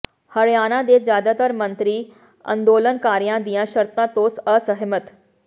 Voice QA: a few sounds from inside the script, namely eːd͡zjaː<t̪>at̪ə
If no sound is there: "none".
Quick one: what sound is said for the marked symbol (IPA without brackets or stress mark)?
d̪